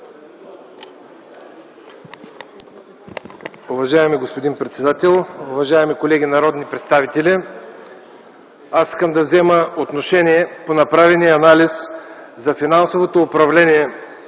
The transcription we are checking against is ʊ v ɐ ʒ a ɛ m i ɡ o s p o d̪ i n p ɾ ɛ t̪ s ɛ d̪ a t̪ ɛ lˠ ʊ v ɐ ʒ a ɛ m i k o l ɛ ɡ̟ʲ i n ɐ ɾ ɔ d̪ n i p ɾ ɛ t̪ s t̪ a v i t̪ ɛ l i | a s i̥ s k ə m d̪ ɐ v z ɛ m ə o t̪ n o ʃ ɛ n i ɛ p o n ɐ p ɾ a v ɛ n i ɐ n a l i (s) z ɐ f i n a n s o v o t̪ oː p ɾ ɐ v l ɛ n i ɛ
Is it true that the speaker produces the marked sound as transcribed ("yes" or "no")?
yes